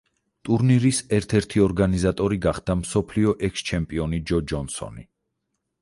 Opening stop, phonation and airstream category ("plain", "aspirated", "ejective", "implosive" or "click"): ejective